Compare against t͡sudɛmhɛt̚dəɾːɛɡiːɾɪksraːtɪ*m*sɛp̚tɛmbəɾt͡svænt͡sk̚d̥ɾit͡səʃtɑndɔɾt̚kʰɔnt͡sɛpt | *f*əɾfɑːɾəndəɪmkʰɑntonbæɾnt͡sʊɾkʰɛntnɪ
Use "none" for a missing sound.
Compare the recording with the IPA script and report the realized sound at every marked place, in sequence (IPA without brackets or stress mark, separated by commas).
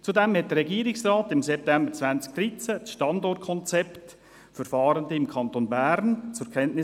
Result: m, f